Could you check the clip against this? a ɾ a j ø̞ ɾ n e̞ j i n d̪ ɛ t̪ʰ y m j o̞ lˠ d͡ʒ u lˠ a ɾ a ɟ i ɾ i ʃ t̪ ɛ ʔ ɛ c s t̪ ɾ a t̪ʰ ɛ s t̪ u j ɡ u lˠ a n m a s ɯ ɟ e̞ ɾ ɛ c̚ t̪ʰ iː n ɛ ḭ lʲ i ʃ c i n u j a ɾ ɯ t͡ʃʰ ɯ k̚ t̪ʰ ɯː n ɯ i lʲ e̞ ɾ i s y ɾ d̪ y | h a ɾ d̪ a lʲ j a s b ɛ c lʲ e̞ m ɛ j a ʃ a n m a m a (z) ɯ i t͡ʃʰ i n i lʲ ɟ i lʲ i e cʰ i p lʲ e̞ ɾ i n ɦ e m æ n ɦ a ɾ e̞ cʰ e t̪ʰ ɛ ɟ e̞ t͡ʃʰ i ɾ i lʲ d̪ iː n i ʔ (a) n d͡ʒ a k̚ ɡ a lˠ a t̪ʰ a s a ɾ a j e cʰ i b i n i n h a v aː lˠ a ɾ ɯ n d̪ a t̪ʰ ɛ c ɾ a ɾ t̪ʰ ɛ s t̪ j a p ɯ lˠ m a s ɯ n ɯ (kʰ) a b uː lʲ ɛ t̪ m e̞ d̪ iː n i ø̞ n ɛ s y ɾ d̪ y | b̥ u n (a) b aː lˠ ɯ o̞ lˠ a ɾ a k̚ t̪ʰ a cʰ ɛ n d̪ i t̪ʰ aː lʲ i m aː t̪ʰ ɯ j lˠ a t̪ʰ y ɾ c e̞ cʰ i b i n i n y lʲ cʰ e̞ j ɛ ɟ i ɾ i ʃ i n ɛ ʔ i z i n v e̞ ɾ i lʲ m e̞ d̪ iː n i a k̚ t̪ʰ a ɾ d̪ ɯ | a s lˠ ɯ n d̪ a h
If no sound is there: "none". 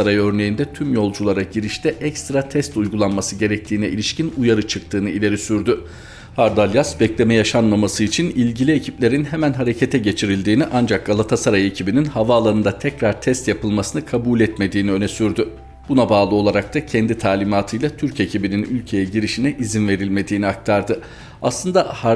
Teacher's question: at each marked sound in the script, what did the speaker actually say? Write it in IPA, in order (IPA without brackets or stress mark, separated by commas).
s, a, kʰ, a